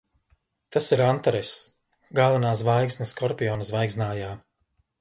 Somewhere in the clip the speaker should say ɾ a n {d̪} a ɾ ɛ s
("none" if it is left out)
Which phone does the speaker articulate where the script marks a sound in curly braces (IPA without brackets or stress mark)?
t̪